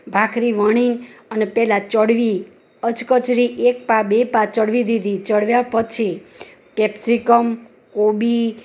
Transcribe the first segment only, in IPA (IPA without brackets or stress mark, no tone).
bʱ